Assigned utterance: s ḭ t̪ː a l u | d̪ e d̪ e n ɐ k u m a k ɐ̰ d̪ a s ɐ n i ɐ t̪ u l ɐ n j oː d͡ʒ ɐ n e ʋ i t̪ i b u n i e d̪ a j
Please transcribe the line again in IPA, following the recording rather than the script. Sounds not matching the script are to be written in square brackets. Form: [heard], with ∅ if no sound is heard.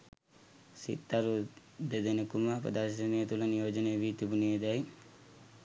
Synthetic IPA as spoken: s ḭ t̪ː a [ɾ] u | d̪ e d̪ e n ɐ k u m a [p] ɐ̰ d̪ a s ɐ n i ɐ t̪ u l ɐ n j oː d͡ʒ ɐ n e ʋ i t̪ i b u n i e d̪ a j